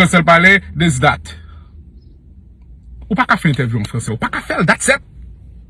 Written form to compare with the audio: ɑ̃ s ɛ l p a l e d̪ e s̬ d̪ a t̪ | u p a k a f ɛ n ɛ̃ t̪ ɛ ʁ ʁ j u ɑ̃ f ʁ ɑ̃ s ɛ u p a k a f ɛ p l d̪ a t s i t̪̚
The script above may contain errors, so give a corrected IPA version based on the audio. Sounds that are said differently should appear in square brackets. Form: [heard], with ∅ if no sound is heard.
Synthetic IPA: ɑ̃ s ɛ l p a l e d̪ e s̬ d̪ a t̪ | u p a k a f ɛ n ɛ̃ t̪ ɛ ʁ [v] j u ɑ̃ f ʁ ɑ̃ s ɛ u p a k a f ɛ [∅] l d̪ a t s [ɛ] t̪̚